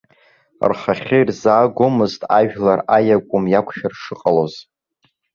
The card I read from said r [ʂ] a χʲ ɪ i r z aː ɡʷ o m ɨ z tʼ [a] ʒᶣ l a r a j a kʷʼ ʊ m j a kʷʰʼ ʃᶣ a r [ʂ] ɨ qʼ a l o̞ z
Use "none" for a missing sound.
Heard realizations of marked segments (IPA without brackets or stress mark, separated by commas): χ, a, ʂ